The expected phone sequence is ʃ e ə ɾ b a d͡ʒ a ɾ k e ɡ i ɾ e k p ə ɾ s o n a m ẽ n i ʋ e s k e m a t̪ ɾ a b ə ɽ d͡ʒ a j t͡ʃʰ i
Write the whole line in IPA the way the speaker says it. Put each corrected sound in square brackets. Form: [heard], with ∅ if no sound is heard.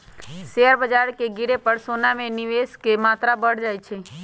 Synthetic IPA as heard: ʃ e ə ɾ b [ə] d͡ʒ a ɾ k e ɡ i ɾ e [∅] p ə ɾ s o n a m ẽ n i ʋ e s k e m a t̪ ɾ a b ə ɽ d͡ʒ a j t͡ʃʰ [e]